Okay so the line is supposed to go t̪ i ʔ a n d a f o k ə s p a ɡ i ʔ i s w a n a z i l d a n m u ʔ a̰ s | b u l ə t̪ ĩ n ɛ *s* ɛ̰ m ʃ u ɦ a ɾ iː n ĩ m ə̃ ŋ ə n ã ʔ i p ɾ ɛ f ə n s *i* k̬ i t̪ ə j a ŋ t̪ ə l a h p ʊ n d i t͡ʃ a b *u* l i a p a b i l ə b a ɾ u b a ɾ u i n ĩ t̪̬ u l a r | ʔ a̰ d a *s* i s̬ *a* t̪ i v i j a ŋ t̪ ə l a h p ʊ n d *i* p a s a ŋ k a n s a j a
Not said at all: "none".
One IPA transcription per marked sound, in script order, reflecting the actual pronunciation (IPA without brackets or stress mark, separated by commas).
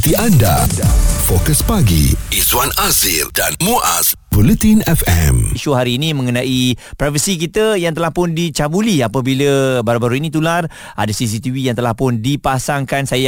f, i, u, s, i, i